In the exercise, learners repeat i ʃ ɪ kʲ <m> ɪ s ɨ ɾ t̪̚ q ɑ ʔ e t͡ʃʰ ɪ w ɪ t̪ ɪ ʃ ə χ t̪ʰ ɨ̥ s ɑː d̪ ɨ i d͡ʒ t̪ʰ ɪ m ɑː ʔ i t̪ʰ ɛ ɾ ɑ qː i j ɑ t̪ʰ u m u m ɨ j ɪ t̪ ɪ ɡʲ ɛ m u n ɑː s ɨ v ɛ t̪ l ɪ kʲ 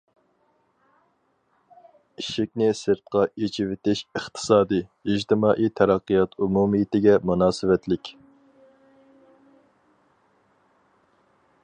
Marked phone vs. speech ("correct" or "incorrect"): incorrect